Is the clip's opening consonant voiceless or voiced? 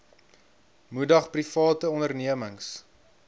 voiced